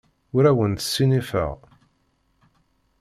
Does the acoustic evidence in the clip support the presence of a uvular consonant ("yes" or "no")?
yes